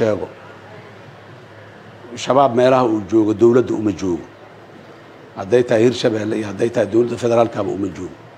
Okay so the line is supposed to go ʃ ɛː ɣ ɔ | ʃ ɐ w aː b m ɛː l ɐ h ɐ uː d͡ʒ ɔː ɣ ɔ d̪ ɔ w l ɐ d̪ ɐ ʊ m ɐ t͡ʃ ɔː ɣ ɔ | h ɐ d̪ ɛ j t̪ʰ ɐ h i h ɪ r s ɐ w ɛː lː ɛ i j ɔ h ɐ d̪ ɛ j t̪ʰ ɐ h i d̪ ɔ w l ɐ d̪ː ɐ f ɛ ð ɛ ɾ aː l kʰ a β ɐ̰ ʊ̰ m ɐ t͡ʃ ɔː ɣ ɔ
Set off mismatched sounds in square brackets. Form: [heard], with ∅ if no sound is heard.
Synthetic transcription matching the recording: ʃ ɛː ɣ ɔ | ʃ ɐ [β] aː b m ɛː l ɐ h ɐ uː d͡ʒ ɔː ɣ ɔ d̪ ɔ w l ɐ d̪ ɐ ʊ m ɐ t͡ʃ ɔː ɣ ɔ | h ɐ d̪ ɛ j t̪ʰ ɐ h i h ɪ r [ʃ] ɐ [β] ɛː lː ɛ i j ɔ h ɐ d̪ ɛ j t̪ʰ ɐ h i d̪ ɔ w l ɐ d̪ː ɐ f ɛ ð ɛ ɾ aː l kʰ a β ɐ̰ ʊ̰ m ɐ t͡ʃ ɔː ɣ ɔ

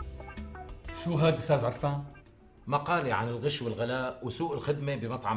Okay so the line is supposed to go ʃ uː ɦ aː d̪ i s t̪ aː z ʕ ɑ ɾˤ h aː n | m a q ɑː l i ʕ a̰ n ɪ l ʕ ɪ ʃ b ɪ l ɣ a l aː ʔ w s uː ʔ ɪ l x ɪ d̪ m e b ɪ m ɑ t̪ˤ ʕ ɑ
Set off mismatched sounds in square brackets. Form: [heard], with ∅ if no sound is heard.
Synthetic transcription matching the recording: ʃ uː ɦ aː d̪ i s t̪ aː z ʕ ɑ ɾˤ [f] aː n | m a q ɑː l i ʕ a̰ n ɪ l [ɣ] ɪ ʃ [w] ɪ l ɣ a l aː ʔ w s uː ʔ ɪ l x ɪ d̪ m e b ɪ m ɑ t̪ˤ ʕ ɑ

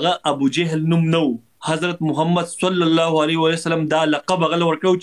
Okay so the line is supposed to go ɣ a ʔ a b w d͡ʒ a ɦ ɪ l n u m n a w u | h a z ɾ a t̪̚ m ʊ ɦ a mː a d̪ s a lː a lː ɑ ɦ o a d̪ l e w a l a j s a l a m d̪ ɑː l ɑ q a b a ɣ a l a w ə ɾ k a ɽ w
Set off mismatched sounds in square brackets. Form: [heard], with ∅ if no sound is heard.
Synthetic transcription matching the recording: ɣ a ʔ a b [u] d͡ʒ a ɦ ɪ l n u m n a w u | h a z ɾ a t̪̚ m ʊ ɦ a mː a d̪ s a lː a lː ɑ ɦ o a [∅] l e w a l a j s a l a m d̪ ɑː l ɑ q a b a ɣ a l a w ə ɾ k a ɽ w

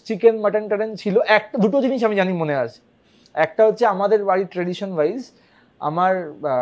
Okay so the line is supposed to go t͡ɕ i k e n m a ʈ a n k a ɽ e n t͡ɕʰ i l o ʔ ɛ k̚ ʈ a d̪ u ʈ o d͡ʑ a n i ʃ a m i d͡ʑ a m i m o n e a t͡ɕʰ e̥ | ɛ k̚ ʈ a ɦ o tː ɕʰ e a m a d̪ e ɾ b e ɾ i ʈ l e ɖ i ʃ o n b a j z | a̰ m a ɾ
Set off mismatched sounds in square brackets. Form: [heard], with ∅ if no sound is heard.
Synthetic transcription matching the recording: t͡ɕ i k e n m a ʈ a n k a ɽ e n t͡ɕʰ i l o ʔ ɛ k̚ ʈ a d̪ u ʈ o d͡ʑ [i] n i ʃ a m i d͡ʑ a [n] i m o n e a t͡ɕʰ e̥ | ɛ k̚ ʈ a ɦ o tː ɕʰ e a m a d̪ e ɾ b [a] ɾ i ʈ [ɾ] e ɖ i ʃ o n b a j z | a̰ m a ɾ

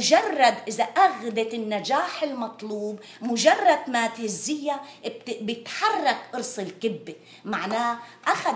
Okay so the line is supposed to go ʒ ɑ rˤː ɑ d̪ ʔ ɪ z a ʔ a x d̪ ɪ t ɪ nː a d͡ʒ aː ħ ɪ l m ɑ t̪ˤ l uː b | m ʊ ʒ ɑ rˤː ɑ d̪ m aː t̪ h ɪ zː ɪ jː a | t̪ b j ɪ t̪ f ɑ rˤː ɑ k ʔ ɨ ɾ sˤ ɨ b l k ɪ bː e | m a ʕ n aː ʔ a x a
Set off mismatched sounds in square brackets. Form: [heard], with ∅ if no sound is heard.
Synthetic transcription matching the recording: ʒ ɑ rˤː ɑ d̪ ʔ ɪ z a ʔ a [ɣ] d̪ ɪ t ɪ nː a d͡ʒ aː ħ ɪ l m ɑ t̪ˤ l uː b | m ʊ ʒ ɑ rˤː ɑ d̪ m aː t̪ h ɪ zː ɪ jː a | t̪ b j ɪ t̪ [ħ] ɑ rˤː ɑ k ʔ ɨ ɾ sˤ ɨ [∅] l k ɪ bː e | m a ʕ n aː ʔ a x a

